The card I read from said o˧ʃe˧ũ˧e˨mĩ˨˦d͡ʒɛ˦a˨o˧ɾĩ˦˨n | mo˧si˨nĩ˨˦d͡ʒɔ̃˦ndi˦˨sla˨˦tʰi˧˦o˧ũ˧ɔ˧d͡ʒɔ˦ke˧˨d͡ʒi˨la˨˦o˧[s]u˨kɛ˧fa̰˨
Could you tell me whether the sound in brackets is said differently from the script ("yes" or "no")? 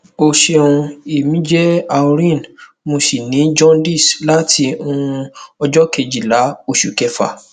yes